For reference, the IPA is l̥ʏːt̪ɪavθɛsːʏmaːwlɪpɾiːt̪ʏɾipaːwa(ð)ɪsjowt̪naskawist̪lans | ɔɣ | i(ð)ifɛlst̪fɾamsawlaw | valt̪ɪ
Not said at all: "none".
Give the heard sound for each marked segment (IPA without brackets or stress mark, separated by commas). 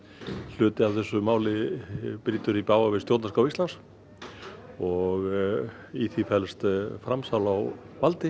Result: v, θ